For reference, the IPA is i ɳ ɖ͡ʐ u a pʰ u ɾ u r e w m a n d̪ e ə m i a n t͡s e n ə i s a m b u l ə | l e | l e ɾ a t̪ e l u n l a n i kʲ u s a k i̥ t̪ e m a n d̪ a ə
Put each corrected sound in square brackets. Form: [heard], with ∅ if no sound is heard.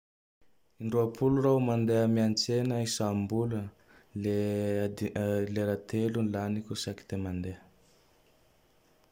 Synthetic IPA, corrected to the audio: i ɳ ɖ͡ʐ u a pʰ u [l] u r [a] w m a n d̪ e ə m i a n t͡s e n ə i s a m b u l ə | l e | l e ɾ a t̪ e l u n l a n i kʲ u s a k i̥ t̪ e m a n d̪ [e] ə